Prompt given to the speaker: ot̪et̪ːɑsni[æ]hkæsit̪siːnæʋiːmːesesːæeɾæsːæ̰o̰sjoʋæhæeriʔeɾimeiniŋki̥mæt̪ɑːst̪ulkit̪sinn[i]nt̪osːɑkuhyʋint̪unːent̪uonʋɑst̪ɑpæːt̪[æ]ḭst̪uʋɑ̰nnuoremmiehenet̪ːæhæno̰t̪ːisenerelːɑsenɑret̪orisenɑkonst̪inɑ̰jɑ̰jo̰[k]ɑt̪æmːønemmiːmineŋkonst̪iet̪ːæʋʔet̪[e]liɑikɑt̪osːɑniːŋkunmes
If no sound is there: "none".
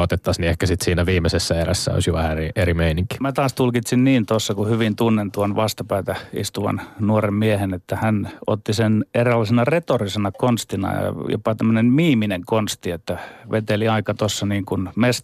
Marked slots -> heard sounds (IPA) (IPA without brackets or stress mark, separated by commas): e, iː, æ, p, e